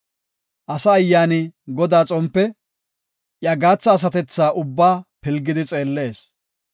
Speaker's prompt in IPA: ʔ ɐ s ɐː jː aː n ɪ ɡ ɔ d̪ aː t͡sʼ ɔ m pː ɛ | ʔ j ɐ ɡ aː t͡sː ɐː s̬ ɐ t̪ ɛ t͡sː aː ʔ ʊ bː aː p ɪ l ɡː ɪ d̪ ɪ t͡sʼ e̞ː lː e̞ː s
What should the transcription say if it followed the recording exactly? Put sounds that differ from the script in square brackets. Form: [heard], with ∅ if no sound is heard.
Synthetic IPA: ʔ ɐ s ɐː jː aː n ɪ ɡ ɔ d̪ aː t͡sʼ ɔ m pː ɛ | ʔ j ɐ ɡ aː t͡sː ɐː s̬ ɐ t̪ ɛ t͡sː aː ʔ ʊ bː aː p ɪ l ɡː ɪ d̪ ɪ t͡sʼ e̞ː lː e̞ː s

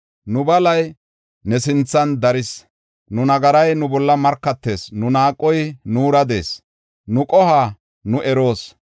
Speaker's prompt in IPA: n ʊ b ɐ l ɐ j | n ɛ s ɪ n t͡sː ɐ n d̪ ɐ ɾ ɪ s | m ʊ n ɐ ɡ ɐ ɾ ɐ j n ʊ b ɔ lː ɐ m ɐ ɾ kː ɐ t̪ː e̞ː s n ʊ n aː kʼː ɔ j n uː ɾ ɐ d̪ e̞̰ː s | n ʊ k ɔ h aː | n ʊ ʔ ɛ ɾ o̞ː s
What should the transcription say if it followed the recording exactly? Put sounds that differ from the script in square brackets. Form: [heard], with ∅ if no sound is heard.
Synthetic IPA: n ʊ b ɐ l ɐ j | n ɛ s ɪ n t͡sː ɐ n d̪ ɐ ɾ ɪ s | [n] ʊ n ɐ ɡ ɐ ɾ ɐ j n ʊ b ɔ lː ɐ m ɐ ɾ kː ɐ t̪ː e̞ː s n ʊ n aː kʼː ɔ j n uː ɾ ɐ d̪ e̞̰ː s | n ʊ [kʼ] ɔ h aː | n ʊ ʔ ɛ ɾ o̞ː s

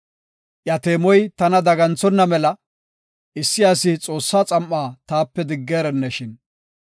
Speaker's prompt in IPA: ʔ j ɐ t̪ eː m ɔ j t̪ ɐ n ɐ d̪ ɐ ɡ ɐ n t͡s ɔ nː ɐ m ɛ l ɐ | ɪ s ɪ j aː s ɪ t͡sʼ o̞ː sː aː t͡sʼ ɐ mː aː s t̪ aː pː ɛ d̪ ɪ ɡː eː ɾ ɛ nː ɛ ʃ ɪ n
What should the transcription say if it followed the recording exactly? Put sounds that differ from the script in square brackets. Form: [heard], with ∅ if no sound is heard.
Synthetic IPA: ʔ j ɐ t̪ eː m ɔ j t̪ ɐ n ɐ d̪ ɐ ɡ ɐ n t͡s ɔ nː ɐ m ɛ l ɐ | ɪ [sː] ɪ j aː s ɪ t͡sʼ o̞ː sː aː t͡sʼ ɐ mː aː [∅] t̪ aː pː ɛ d̪ ɪ ɡː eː ɾ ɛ nː ɛ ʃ ɪ n

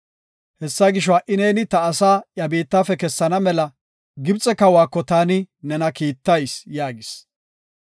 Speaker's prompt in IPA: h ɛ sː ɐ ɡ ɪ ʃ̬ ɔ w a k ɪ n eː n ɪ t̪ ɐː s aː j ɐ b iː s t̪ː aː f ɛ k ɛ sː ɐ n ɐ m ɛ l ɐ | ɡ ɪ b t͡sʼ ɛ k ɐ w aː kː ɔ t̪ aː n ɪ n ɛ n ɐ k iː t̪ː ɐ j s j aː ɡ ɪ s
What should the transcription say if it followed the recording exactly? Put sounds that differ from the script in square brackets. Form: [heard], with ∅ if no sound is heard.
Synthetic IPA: h ɛ sː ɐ ɡ ɪ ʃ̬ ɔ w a [ʔ] ɪ n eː n ɪ t̪ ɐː s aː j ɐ b iː [∅] t̪ː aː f ɛ k ɛ sː ɐ n ɐ m ɛ l ɐ | ɡ ɪ b t͡sʼ ɛ k ɐ w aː kː ɔ t̪ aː n ɪ n ɛ n ɐ k iː t̪ː ɐ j s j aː ɡ ɪ s

